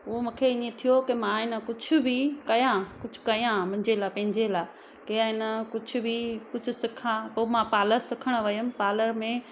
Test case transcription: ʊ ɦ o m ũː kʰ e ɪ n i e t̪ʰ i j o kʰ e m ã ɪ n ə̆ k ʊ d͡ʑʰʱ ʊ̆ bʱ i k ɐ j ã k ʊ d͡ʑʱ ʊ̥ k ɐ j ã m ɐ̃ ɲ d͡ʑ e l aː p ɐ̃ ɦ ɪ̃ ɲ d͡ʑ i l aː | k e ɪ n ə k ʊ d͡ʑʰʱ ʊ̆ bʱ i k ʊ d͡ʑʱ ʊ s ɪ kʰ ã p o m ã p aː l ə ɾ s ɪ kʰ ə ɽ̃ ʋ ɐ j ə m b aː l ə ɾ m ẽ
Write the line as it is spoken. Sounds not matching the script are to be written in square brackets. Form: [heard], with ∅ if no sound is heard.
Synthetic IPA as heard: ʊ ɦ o m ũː kʰ e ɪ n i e t̪ʰ i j o [k] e m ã ɪ n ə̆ k ʊ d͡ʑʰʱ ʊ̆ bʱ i k ɐ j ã k ʊ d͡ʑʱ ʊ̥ k ɐ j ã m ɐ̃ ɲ d͡ʑ e l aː p ɐ̃ ɦ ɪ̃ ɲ d͡ʑ [e] l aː | k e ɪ n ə k ʊ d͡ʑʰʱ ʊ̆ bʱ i k ʊ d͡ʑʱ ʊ s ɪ kʰ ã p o m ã p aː l ə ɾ s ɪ kʰ ə ɽ̃ ʋ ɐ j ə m [p] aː l ə ɾ m ẽ